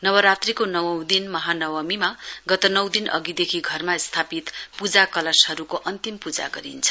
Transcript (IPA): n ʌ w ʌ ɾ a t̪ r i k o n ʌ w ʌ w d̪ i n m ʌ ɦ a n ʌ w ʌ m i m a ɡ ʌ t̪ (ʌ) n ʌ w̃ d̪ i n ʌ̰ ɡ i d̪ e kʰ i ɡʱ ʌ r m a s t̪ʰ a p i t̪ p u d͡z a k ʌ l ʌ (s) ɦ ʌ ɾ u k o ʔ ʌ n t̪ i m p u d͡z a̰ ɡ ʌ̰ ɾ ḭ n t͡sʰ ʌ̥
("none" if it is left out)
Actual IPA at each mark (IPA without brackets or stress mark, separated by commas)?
ʌ, s